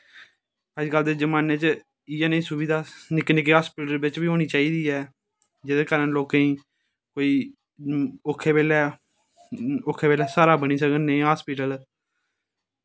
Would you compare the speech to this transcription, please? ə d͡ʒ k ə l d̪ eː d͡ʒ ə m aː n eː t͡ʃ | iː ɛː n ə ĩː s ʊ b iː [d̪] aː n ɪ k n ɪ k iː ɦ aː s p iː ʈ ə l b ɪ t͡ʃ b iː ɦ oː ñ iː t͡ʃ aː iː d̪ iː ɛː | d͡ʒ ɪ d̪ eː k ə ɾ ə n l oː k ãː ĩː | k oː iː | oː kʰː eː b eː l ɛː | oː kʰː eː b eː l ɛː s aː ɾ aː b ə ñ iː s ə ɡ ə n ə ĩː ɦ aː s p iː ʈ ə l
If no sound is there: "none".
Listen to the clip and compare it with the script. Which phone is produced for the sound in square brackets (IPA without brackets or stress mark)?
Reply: d̪